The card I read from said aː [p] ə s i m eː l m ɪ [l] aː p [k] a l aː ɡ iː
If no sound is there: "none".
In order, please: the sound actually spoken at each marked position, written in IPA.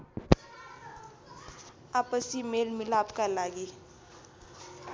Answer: p, l, k

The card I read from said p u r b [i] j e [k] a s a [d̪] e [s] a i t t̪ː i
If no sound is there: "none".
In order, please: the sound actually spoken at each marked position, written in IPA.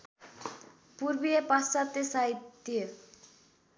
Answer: i, p, t̪, s

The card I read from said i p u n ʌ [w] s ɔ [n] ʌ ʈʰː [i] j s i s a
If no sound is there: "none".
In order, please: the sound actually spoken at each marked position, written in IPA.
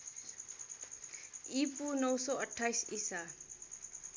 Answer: w, none, a

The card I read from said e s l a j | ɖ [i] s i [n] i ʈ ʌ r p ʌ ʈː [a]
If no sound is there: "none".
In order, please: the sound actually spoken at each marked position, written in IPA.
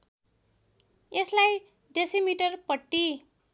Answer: e, m, i

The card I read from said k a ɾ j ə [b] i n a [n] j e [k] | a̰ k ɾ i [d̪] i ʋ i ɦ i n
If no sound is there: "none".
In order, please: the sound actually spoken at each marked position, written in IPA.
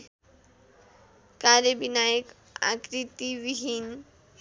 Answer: b, none, k, t̪

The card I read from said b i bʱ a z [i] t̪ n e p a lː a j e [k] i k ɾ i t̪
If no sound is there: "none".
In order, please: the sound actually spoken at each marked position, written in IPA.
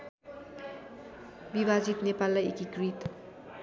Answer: i, k

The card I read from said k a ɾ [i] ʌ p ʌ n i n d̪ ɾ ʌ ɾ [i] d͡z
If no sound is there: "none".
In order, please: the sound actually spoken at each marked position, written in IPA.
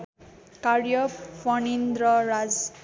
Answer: j, a

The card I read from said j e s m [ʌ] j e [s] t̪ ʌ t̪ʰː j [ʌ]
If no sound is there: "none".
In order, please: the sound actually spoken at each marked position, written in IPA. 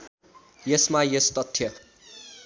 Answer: a, s, ʌ

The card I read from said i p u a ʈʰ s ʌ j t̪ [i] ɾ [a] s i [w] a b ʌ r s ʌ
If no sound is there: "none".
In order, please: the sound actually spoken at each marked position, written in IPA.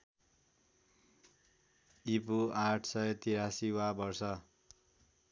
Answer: i, a, w

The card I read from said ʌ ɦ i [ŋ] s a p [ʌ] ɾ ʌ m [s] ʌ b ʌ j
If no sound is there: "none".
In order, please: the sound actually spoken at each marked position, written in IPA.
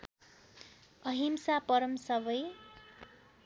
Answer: m, ʌ, s

